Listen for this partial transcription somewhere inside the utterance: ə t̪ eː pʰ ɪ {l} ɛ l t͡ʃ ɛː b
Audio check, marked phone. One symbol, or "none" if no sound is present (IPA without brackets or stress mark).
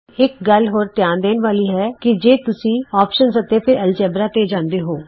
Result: ɾ